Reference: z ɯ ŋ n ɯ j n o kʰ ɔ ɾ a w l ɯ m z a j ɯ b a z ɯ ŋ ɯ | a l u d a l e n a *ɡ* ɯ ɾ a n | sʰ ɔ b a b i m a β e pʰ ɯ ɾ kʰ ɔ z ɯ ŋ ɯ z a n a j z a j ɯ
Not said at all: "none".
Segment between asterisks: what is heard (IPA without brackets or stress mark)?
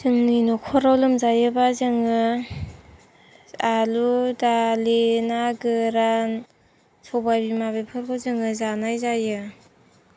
ɡ